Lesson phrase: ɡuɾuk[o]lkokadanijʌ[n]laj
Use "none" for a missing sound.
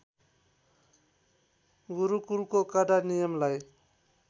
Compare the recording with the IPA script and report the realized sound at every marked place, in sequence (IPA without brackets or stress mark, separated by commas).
u, m